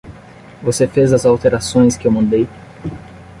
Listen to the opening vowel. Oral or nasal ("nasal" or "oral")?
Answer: oral